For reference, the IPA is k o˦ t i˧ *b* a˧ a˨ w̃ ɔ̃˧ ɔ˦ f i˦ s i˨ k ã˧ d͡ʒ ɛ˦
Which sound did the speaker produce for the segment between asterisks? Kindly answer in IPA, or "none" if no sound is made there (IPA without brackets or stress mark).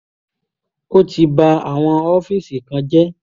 b